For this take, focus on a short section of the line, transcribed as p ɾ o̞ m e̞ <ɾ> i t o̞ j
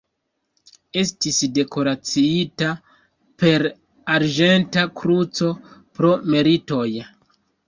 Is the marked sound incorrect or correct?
correct